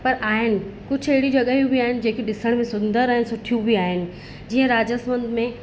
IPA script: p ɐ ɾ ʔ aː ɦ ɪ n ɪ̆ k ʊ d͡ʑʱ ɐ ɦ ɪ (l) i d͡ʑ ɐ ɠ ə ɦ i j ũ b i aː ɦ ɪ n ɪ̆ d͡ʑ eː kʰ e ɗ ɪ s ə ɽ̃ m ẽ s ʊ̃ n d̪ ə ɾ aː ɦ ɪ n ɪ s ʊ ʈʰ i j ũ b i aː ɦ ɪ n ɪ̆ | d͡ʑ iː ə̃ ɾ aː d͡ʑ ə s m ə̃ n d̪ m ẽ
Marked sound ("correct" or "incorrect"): incorrect